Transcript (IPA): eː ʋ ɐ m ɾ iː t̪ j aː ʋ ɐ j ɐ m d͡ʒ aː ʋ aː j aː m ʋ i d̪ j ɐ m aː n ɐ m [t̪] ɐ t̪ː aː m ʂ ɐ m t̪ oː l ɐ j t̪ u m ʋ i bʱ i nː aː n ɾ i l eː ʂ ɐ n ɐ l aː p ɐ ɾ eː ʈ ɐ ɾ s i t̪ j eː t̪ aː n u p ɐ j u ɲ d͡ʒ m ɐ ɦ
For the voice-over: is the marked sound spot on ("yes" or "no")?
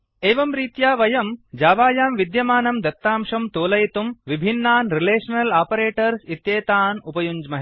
no